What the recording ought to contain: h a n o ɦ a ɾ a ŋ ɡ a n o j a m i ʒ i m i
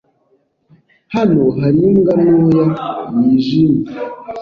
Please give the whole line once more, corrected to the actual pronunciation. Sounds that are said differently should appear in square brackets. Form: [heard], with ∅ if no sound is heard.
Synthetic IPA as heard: h a n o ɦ a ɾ [i] ŋ ɡ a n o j a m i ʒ i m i